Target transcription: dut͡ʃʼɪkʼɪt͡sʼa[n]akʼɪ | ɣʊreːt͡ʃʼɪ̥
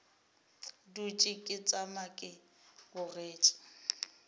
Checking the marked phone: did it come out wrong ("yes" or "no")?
yes